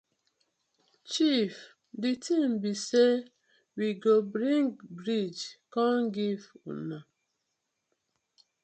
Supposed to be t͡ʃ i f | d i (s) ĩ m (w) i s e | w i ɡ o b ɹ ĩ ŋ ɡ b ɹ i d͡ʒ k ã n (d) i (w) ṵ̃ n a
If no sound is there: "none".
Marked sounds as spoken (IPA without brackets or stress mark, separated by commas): t, b, ɡ, v